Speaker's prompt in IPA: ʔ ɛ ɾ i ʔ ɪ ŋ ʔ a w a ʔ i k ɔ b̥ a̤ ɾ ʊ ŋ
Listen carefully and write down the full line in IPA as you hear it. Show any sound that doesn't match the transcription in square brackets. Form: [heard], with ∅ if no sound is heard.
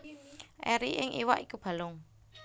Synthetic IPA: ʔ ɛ ɾ i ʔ ɪ ŋ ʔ [i] w a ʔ i k [u] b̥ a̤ [l] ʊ ŋ